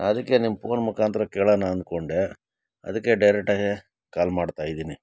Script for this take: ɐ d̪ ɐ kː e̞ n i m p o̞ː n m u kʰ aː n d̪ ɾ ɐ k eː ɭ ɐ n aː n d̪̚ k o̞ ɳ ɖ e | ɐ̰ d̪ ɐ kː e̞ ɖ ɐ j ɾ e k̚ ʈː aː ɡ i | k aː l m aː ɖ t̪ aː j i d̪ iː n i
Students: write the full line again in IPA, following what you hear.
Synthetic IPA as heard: ɐ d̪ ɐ kː e̞ n i m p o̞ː n m u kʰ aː n t̪ ɾ ɐ k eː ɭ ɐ n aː n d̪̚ k o̞ ɳ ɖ e | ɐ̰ d̪ ɐ kː e̞ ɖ ɐ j ɾ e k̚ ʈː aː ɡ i | k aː l m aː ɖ t̪ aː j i d̪ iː n i